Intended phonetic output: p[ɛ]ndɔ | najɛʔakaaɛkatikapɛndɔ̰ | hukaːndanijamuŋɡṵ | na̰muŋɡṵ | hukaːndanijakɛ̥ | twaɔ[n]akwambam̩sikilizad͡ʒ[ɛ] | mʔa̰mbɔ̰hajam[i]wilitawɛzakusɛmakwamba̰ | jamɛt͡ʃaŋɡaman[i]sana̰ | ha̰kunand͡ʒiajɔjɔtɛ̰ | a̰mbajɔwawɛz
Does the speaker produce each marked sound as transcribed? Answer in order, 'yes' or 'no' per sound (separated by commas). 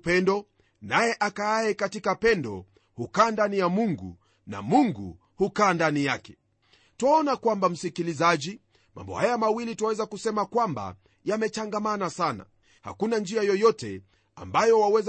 yes, yes, no, no, no